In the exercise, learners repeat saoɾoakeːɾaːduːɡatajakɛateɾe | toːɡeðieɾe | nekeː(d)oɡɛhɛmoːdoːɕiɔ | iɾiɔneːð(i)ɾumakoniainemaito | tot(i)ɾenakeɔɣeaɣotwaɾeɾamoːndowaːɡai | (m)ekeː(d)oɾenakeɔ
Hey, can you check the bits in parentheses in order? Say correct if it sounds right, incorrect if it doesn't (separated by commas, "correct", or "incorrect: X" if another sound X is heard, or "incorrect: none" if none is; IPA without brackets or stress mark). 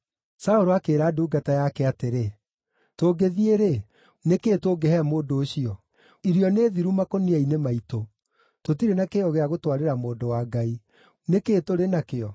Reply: incorrect: t, correct, correct, incorrect: n, incorrect: t